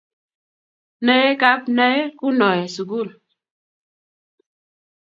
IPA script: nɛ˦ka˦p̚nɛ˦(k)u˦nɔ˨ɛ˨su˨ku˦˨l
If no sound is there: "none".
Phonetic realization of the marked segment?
k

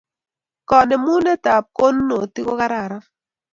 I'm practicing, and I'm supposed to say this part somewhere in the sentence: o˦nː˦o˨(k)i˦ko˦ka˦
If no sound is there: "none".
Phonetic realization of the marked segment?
t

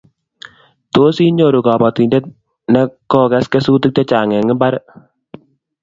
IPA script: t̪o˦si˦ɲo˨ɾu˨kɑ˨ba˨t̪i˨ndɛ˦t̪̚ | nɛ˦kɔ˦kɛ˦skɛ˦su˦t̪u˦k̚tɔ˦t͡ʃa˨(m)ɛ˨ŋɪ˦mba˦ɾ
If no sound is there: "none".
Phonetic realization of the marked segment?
ŋ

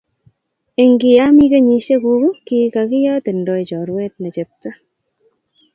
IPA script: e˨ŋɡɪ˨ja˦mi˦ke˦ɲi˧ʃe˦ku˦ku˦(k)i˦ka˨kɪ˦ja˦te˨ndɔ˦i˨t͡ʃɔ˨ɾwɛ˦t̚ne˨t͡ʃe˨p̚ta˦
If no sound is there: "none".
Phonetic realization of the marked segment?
k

